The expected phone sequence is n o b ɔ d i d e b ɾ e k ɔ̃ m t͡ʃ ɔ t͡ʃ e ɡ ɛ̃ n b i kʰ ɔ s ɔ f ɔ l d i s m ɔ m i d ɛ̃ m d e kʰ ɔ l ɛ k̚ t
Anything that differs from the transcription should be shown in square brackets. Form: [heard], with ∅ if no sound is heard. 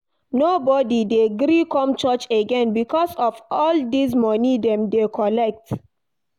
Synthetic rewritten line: n o b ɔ d i d e [ɡ] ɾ [i] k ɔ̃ m t͡ʃ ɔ t͡ʃ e ɡ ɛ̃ n b i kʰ ɔ s ɔ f ɔ l d i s m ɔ [n] i d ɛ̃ m d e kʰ ɔ l ɛ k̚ t